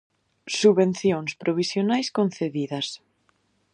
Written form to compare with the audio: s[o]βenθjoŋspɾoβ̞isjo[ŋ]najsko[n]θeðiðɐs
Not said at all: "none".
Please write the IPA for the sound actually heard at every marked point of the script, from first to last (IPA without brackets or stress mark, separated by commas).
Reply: u, none, n